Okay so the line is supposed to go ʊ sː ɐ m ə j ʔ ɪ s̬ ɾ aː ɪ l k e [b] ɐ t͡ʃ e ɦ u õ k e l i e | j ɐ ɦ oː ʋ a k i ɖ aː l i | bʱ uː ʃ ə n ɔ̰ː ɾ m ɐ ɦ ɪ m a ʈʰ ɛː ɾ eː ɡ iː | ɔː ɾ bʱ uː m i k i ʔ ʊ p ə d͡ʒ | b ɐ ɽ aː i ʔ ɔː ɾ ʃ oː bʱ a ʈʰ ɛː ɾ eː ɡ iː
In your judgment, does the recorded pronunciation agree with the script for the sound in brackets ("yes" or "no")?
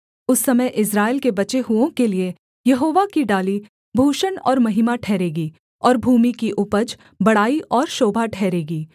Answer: yes